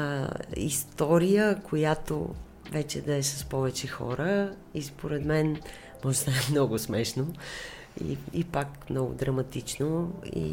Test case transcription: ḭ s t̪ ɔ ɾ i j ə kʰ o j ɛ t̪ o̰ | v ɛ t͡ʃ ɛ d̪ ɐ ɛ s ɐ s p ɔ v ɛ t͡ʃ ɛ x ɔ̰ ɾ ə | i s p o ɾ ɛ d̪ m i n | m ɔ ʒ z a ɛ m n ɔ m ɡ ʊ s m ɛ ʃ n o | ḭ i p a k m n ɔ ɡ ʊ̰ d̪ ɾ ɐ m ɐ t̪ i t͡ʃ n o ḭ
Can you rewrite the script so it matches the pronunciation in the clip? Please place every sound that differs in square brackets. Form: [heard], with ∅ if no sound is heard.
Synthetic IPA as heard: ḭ s t̪ ɔ ɾ i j ə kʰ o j [a] t̪ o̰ | v ɛ t͡ʃ ɛ d̪ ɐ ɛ s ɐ s p ɔ v ɛ t͡ʃ ɛ x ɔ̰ ɾ ə | i s p o ɾ ɛ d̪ m [ɛ] n | m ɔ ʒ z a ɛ m n ɔ [∅] ɡ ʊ s m ɛ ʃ n o | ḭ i p a k m n ɔ ɡ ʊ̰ d̪ ɾ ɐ m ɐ t̪ i t͡ʃ n o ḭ